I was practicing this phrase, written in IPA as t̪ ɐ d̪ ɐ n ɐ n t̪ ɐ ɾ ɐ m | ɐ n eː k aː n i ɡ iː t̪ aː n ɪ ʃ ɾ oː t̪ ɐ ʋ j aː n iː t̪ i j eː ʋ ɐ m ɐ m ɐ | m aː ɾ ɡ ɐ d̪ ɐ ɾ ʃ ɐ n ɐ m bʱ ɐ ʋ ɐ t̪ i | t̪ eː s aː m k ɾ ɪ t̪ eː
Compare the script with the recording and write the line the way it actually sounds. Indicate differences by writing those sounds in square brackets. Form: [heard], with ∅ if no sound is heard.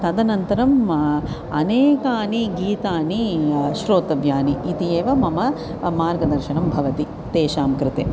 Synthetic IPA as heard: t̪ ɐ d̪ ɐ n ɐ n t̪ ɐ ɾ ɐ m | ɐ n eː k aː n i ɡ iː t̪ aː n [i] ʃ ɾ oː t̪ ɐ ʋ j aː n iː t̪ i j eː ʋ ɐ m ɐ m ɐ | m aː ɾ ɡ ɐ d̪ ɐ ɾ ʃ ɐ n ɐ m bʱ ɐ ʋ ɐ t̪ i | t̪ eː [ʃ] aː m k ɾ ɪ t̪ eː